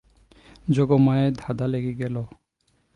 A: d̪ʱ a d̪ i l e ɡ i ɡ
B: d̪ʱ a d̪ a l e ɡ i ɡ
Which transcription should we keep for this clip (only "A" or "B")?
B